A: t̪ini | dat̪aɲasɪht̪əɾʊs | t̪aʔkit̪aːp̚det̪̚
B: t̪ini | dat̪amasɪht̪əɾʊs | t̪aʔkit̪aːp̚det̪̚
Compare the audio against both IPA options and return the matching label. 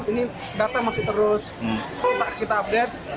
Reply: B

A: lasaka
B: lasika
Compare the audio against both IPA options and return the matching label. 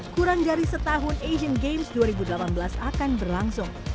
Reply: A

